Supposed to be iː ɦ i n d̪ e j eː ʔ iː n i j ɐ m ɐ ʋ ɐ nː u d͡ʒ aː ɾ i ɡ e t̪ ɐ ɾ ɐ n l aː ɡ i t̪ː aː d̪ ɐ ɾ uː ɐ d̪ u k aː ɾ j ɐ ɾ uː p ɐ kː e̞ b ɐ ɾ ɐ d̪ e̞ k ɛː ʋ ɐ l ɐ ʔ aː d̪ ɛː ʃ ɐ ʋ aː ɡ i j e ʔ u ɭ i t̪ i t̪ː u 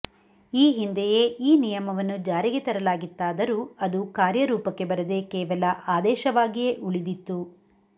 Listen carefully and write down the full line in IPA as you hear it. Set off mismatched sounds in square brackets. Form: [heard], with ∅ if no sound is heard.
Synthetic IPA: iː ɦ i n d̪ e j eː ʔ iː n i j ɐ m ɐ ʋ ɐ nː u d͡ʒ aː ɾ i ɡ e t̪ ɐ ɾ ɐ [∅] l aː ɡ i t̪ː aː d̪ ɐ ɾ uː ɐ d̪ u k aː ɾ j ɐ ɾ uː p ɐ kː e̞ b ɐ ɾ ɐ d̪ e̞ k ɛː ʋ ɐ l ɐ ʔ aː d̪ ɛː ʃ ɐ ʋ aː ɡ i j e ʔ u ɭ i [d̪] i t̪ː u